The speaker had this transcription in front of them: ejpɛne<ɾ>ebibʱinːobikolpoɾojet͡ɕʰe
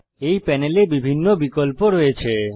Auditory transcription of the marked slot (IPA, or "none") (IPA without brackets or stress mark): l